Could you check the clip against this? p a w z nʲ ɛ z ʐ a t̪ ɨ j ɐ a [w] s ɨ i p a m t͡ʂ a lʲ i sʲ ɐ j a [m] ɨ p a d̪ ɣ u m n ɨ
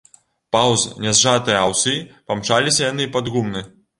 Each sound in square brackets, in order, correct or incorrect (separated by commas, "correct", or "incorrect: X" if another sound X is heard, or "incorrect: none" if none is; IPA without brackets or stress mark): correct, incorrect: n